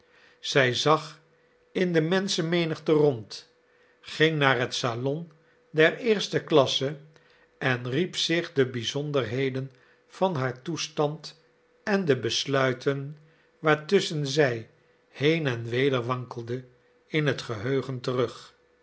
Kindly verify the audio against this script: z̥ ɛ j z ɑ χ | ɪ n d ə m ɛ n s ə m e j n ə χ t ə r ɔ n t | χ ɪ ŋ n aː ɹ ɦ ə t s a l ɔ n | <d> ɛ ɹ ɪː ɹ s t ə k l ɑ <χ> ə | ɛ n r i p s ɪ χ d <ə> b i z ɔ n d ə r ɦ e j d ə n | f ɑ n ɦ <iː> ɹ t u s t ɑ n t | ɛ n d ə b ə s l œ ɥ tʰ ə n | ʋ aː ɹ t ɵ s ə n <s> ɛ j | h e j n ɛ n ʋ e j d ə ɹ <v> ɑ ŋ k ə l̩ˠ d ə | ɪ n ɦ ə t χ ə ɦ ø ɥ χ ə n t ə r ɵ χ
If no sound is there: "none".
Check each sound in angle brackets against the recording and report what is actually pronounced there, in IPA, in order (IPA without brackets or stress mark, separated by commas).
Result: d, s, ə, aː, z, ʋ